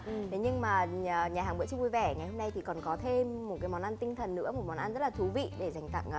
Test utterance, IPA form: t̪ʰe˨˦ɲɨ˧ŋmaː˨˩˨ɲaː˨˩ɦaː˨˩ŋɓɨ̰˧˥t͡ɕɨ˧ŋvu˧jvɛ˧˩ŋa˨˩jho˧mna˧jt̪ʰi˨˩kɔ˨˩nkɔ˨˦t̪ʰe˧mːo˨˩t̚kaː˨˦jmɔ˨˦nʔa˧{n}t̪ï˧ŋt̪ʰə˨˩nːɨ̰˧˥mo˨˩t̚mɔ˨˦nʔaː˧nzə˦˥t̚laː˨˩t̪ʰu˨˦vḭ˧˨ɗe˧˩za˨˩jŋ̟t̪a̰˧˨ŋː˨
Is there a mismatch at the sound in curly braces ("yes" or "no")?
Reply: no